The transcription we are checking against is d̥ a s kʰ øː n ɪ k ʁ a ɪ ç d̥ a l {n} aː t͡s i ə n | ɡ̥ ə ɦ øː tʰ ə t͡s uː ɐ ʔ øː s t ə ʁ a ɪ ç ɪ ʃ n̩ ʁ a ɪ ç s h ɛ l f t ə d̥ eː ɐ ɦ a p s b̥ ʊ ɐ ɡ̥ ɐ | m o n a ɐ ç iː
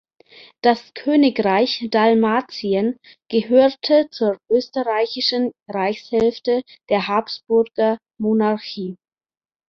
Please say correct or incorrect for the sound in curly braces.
incorrect